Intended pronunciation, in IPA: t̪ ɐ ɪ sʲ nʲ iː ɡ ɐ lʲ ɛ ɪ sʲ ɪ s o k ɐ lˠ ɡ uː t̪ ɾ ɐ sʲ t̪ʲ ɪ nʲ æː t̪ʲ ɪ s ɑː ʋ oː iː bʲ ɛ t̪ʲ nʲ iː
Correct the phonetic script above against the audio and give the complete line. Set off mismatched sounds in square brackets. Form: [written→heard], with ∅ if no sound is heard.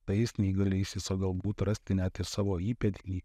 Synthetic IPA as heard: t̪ ɐ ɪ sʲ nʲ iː ɡ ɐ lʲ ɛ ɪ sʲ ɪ s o [k→ɡ] ɐ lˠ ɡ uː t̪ ɾ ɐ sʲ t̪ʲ ɪ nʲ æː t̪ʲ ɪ s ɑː ʋ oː iː [bʲ→pʲ] ɛ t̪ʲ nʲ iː